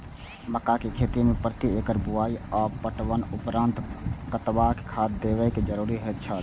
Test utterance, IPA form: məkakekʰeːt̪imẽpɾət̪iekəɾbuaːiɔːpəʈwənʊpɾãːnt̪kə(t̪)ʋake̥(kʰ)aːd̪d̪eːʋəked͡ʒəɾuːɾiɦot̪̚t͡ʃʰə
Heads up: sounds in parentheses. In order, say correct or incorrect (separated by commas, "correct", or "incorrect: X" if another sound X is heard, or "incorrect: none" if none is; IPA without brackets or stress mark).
correct, correct